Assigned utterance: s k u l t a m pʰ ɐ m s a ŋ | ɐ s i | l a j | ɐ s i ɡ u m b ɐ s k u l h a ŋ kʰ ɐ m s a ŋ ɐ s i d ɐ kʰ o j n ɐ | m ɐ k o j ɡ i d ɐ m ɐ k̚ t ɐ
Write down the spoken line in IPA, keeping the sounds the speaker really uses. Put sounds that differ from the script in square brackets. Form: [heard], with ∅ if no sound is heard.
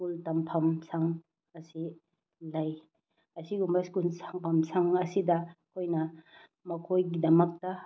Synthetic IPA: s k u l t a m pʰ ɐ m s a ŋ | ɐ s i | l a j | ɐ s i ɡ u m b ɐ s k u l [s] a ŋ [pʰ] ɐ m s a ŋ ɐ s i d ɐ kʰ o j n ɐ | m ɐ [kʰ] o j ɡ i d ɐ m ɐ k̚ t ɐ

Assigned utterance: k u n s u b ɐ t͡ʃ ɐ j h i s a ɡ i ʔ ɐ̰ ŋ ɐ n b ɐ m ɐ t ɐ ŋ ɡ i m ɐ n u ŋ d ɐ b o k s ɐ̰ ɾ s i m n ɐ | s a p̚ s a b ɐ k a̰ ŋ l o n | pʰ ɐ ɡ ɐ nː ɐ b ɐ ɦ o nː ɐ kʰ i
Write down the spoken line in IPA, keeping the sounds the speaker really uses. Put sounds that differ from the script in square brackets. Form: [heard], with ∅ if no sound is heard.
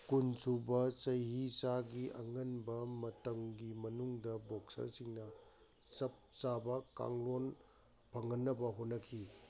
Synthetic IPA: k u n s u b ɐ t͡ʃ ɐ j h i s a ɡ i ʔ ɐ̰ ŋ ɐ n b ɐ m ɐ t ɐ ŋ ɡ i m ɐ n u ŋ d ɐ b o k s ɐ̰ ɾ s i [ŋ] n ɐ | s [ɐ] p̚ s a b ɐ k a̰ ŋ l o n | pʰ ɐ [ŋ] ɐ nː ɐ b ɐ ɦ o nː ɐ kʰ i

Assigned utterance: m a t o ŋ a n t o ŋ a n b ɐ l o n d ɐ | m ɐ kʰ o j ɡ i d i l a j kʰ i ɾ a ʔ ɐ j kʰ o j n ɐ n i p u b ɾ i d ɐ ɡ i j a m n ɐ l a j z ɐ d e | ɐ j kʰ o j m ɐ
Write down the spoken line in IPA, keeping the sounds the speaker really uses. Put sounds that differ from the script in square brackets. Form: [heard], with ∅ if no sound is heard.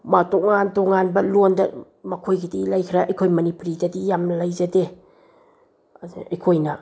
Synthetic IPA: m a t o ŋ a n t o ŋ a n b ɐ l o n d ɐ | m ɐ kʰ o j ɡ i d i l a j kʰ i ɾ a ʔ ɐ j kʰ o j [m] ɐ n i p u [∅] ɾ i d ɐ [d] i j a m n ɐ l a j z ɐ d e | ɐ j kʰ o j [n] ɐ

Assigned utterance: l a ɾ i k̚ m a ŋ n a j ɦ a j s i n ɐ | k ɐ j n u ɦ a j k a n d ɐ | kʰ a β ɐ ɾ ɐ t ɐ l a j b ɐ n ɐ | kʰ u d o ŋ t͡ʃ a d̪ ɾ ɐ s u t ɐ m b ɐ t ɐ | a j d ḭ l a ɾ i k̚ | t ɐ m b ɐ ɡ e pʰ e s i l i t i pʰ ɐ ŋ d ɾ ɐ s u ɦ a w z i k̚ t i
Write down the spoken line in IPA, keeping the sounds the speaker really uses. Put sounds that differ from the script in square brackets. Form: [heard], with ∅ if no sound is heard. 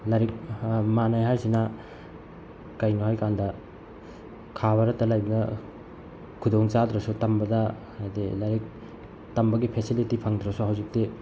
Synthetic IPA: l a ɾ i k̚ m a [∅] n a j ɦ a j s i n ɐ | k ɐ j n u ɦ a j k a n d ɐ | kʰ a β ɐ ɾ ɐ t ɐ l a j b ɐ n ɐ | kʰ u d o ŋ t͡ʃ a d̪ ɾ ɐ s u t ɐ m b ɐ [d] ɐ | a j d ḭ l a ɾ i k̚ | t ɐ m b ɐ ɡ [i] pʰ e s i l i t i pʰ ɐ ŋ d ɾ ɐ s u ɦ a w z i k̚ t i

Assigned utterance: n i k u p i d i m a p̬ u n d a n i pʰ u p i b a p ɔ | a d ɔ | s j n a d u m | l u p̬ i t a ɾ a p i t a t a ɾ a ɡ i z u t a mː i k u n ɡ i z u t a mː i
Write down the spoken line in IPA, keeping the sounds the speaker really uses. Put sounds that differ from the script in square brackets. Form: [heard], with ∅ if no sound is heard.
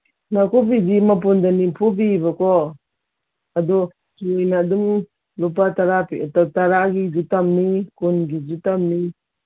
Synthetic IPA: n [a] k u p i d i m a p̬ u n d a n i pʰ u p i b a [k] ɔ | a d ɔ | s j n a d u m | l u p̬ [a] t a ɾ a p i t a t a ɾ a ɡ i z u t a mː i k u n ɡ i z u t a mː i

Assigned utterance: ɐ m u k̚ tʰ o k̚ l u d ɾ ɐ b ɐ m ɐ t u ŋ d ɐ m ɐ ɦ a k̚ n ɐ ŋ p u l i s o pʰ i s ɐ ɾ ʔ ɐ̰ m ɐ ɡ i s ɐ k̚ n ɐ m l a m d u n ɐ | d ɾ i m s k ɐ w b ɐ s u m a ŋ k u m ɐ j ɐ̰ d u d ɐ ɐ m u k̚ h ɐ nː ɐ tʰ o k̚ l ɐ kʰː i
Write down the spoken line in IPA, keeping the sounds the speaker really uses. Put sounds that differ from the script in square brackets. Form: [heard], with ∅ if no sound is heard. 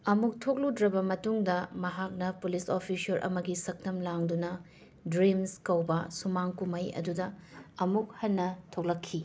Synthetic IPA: ɐ m u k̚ tʰ o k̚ l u d ɾ ɐ b ɐ m ɐ t u ŋ d ɐ m ɐ ɦ a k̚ n ɐ [∅] p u l i s o pʰ i s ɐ ɾ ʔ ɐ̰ m ɐ ɡ i s ɐ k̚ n ɐ m l a [ŋ] d u n ɐ | d ɾ i m s k ɐ w b ɐ s u m a ŋ k u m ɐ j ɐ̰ d u d ɐ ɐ m u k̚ h ɐ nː ɐ tʰ o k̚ l ɐ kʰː i

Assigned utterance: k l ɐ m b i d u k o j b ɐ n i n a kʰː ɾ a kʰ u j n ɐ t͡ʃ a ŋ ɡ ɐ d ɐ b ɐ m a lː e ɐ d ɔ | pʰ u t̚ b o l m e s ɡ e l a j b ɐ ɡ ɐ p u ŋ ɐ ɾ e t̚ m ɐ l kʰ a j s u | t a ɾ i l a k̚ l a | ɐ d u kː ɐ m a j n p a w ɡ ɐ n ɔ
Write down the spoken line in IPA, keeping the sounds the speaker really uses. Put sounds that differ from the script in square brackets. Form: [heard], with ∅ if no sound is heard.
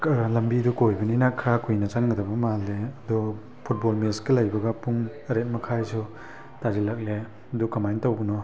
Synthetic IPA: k l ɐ m b i d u k o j b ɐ n i n a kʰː ɾ a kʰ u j n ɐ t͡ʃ a ŋ ɡ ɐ d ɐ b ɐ m a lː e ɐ d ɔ | pʰ u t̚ b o l m e s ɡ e l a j b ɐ ɡ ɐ p u ŋ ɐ ɾ e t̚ m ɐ [∅] kʰ a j s u | t a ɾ i l a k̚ l [e] | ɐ d u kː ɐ m a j n [t] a w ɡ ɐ n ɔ

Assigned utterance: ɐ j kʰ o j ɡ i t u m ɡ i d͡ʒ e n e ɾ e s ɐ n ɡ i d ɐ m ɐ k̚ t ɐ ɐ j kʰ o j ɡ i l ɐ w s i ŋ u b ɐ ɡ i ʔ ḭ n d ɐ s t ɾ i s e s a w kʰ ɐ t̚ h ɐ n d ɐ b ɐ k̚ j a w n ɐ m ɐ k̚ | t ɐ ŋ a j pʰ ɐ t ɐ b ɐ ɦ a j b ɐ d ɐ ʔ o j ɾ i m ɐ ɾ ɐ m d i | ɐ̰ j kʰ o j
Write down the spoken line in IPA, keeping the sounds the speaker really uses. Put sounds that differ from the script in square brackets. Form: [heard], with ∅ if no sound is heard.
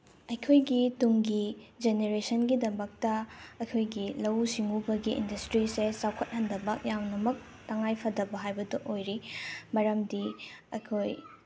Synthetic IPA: ɐ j kʰ o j ɡ i t u [ŋ] ɡ i d͡ʒ e n e ɾ e s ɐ n ɡ i d ɐ m ɐ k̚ t ɐ ɐ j kʰ o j ɡ i l ɐ w s i ŋ u b ɐ ɡ i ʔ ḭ n d ɐ s t ɾ i s e s a w kʰ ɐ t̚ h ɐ n d ɐ b ɐ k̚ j a w n ɐ m ɐ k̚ | t ɐ ŋ a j pʰ ɐ [d] ɐ b ɐ ɦ a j b ɐ d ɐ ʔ o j ɾ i m ɐ ɾ ɐ m d i | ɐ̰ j kʰ o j

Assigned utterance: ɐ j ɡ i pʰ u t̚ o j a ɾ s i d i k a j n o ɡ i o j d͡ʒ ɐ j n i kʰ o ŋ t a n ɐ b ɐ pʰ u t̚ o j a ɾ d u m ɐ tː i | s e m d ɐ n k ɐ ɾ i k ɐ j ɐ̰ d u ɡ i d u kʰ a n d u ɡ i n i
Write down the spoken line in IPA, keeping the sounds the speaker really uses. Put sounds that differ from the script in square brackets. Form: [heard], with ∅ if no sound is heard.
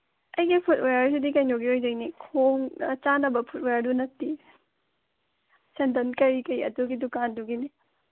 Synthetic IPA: ɐ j ɡ i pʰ u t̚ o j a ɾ s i d i k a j n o ɡ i o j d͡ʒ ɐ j n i kʰ o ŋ [t͡ʃ] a n ɐ b ɐ pʰ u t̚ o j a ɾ d u [n] ɐ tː i | s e [n] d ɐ n k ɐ ɾ i k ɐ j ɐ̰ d u ɡ i d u [k] a n d u ɡ i n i

